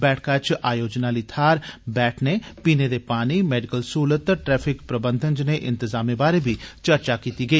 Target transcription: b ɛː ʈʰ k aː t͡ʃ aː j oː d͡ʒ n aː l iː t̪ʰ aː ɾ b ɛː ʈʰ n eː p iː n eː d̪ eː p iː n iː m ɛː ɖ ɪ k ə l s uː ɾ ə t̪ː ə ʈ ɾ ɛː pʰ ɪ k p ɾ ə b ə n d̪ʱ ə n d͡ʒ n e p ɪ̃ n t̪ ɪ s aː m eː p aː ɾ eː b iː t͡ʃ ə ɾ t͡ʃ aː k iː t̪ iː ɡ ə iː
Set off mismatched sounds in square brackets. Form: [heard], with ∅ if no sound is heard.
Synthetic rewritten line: b ɛː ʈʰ k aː t͡ʃ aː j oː d͡ʒ n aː l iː t̪ʰ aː ɾ b ɛː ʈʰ n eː p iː n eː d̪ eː p [aː] n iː m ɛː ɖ ɪ k ə l s uː [l] ə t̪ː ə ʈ ɾ ɛː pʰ ɪ k p ɾ ə b ə n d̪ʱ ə n d͡ʒ n e [ʔ] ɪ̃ n t̪ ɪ [z] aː m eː [b] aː ɾ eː b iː t͡ʃ ə ɾ t͡ʃ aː k iː t̪ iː ɡ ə iː